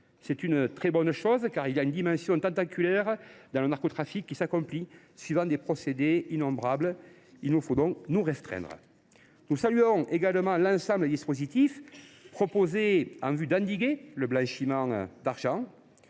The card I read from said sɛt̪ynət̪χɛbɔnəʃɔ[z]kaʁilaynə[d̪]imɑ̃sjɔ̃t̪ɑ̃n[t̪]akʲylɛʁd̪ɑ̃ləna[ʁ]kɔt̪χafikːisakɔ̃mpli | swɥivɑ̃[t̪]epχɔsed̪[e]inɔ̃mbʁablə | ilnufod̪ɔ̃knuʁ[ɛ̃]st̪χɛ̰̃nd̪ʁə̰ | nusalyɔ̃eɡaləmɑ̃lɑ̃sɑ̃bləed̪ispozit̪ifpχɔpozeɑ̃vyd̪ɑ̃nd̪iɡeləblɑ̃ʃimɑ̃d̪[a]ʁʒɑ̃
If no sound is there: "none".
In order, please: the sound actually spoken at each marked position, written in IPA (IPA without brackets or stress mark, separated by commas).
z, d̪, t̪, ʁ, d̪, e, ɛ, a